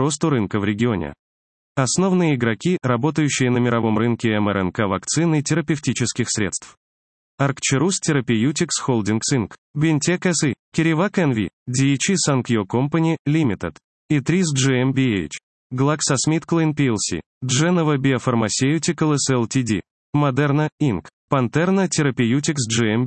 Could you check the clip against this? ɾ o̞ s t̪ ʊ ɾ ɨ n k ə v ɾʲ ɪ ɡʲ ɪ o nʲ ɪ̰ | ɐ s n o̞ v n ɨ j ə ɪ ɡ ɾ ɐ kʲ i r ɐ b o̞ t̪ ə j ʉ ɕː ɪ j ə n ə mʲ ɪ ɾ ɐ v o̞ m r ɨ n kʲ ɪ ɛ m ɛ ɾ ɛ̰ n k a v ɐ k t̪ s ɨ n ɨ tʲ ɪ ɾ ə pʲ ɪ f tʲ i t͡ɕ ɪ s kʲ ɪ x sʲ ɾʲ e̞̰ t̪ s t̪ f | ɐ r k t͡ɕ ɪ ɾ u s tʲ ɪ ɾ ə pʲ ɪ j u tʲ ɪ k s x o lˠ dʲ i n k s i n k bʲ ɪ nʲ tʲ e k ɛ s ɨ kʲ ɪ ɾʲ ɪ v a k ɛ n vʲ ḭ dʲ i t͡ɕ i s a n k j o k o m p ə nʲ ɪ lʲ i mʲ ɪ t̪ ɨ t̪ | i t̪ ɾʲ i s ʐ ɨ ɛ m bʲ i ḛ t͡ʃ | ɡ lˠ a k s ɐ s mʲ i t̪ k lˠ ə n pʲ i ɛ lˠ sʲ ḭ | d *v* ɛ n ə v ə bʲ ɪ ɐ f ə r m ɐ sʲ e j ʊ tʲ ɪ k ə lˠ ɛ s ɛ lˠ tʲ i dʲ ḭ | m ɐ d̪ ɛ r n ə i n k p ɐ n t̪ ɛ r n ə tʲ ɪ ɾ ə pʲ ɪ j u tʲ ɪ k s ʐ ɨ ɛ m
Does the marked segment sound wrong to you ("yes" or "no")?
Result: yes